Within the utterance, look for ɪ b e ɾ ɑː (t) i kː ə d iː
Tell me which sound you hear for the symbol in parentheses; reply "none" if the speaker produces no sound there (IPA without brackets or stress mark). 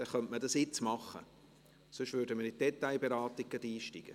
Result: t